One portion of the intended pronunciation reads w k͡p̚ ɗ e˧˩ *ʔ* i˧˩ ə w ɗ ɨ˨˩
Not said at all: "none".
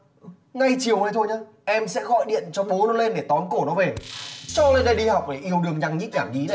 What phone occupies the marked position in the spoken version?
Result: ʔ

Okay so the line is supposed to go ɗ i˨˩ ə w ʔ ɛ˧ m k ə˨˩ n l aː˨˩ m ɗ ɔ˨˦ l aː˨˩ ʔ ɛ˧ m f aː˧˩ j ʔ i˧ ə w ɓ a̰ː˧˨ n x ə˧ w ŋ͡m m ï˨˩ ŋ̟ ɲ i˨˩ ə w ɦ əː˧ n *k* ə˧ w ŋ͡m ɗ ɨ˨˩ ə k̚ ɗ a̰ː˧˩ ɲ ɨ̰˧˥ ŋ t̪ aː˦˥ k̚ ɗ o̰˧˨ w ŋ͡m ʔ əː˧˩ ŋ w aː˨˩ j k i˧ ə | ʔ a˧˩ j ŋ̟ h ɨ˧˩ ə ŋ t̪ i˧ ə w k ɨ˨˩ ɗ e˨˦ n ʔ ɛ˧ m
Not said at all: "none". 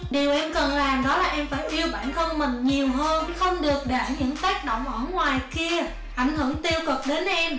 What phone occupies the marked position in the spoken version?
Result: x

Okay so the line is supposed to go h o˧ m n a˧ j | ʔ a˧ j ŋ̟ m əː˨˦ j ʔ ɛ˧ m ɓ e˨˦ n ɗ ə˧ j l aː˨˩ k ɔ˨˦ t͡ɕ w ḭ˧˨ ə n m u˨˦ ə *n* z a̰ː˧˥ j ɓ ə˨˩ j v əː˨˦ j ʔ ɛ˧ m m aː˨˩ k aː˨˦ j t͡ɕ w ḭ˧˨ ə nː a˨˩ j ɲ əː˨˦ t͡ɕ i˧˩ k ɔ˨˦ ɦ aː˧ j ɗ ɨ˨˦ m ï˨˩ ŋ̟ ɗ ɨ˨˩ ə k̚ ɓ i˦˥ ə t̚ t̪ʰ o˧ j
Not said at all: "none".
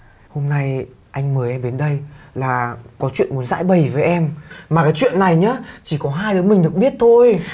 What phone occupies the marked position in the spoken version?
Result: n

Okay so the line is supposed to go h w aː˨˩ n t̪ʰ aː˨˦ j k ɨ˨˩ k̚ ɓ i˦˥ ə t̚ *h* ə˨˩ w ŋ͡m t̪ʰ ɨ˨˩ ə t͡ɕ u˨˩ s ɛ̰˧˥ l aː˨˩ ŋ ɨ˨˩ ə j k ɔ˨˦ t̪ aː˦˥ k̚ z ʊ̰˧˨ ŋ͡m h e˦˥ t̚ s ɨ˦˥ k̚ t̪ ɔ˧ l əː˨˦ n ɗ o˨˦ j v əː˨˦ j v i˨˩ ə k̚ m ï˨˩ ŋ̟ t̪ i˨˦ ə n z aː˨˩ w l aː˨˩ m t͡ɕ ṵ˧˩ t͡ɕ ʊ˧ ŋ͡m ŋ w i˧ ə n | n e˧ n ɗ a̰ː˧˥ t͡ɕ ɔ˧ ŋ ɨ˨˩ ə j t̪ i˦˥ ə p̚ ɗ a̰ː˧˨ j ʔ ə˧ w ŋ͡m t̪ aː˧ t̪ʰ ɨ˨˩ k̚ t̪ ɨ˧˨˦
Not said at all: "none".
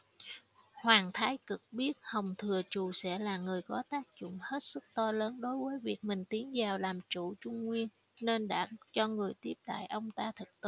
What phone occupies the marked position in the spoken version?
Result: h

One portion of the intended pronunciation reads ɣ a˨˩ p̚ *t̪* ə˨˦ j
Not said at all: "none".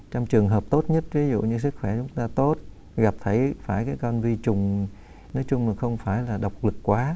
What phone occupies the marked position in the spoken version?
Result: t̪ʰ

